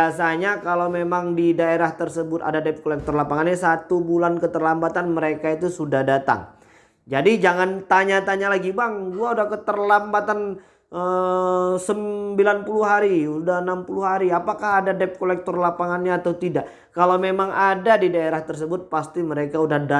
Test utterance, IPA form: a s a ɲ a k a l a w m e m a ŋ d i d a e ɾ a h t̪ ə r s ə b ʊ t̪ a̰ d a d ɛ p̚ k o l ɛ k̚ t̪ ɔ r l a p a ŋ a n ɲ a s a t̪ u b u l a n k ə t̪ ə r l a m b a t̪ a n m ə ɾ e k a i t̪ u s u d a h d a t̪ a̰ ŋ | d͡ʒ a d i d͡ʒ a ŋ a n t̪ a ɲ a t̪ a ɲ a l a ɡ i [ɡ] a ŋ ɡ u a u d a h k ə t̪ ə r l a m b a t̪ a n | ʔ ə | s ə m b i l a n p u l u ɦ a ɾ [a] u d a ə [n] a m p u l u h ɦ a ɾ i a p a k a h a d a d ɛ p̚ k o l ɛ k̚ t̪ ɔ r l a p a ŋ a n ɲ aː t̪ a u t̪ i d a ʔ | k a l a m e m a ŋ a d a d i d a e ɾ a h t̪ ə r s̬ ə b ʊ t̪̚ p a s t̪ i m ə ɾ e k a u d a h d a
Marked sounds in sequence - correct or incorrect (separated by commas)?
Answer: incorrect, incorrect, correct